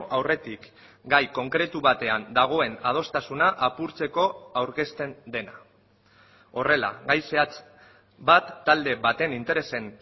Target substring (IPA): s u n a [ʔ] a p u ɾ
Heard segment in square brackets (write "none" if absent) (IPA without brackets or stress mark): ʔ